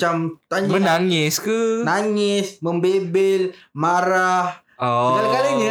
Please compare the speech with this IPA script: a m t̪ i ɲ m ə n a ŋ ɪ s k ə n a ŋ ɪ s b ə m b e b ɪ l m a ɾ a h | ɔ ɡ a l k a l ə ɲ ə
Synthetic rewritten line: a m t̪ a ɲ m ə n a ŋ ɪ s k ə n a ŋ ɪ s m ə m b e b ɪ l m a ɾ a h | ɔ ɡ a l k a l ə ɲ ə